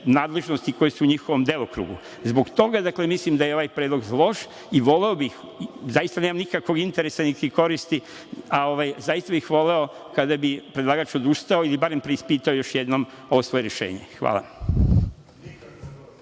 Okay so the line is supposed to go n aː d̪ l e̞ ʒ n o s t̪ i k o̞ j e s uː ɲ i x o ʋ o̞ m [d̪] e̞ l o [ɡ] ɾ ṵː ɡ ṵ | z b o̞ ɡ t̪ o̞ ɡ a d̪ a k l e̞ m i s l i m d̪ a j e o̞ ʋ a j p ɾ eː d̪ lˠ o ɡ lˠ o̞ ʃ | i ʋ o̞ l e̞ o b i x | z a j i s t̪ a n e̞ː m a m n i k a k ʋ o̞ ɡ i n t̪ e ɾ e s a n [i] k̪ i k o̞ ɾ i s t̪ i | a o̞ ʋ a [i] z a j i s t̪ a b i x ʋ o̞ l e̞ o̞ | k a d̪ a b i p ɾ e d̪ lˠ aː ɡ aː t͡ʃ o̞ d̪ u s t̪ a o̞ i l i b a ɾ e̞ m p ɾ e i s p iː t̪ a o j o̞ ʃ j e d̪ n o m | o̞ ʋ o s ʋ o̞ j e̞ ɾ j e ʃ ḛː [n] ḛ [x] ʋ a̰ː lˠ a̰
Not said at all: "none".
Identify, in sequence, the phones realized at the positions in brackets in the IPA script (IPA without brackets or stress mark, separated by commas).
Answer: d̪, k, i, j, ɲ, x